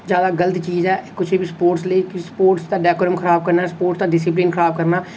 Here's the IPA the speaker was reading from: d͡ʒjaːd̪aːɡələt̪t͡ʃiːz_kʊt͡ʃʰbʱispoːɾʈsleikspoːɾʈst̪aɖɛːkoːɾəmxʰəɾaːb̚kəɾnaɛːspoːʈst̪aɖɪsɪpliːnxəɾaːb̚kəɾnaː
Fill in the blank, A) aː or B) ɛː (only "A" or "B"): B